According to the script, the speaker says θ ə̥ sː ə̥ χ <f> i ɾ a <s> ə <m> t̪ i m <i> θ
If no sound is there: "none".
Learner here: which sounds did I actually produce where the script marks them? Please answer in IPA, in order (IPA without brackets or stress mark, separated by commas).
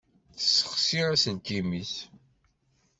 s, s, n, i